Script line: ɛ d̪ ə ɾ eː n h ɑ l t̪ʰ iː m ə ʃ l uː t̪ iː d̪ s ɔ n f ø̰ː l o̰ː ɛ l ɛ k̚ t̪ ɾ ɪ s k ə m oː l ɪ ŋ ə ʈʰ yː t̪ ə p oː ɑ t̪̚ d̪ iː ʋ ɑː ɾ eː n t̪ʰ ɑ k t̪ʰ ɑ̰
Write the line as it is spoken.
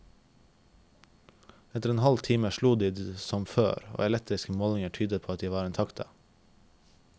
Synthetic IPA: ɛ t̪ ə ɾ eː n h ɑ l t̪ʰ iː m ə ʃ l uː d̪ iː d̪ s ɔ m f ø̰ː ɾ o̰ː ɛ l ɛ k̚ t̪ ɾ ɪ s k ə m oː l ɪ ŋ ə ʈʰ yː d̪ ə pʰ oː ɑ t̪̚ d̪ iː ʋ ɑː ɾ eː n t̪ʰ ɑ k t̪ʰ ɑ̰